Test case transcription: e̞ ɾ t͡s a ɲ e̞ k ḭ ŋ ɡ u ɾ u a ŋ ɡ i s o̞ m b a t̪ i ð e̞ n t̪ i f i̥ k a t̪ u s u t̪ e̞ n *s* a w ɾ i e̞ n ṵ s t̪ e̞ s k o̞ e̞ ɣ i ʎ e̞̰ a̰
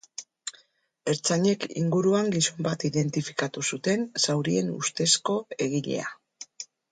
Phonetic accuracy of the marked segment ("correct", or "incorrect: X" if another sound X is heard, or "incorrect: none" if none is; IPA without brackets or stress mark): correct